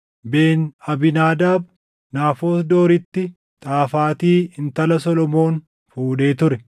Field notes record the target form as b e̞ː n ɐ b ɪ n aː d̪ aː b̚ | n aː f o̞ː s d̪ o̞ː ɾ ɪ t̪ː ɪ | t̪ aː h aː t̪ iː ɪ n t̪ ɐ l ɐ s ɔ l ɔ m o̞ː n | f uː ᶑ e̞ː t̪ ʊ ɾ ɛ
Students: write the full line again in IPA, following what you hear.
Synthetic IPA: b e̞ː n ɐ b ɪ n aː d̪ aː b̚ | n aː f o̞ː s d̪ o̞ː ɾ ɪ t̪ː ɪ | t̪ʼ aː f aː t̪ iː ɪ n t̪ ɐ l ɐ s ɔ l ɔ m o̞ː n | f uː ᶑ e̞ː t̪ ʊ ɾ ɛ